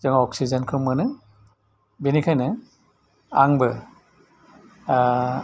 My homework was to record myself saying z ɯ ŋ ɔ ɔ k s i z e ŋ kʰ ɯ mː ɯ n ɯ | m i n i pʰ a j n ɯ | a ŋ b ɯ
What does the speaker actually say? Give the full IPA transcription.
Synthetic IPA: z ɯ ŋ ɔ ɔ k s i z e n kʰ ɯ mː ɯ n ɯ | b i n i kʰ a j n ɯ | a ŋ b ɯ

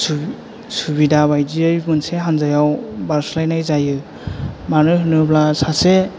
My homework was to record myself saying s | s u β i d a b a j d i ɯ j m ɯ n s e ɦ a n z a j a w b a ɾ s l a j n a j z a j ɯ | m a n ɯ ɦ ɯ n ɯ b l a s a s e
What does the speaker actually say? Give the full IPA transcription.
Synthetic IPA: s | s u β i d a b a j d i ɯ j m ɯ n s e ɦ a n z a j a w b a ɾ s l a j n a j z a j ɯ | m a n ɯ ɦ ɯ n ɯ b l a s a s e

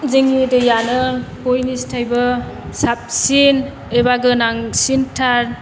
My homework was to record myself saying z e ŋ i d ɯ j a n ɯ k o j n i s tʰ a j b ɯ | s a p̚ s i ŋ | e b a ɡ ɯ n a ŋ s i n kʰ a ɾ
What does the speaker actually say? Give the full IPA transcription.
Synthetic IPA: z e ŋ i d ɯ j a n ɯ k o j n i s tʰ a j b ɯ | s a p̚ s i n | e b a ɡ ɯ n a ŋ s i n tʰ a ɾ

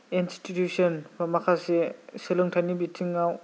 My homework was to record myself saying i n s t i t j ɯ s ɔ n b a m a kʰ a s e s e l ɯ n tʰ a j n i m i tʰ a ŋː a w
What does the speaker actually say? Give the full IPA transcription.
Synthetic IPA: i n s t i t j u s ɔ n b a m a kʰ a s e s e l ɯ ŋ tʰ a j n i b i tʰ i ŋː a w

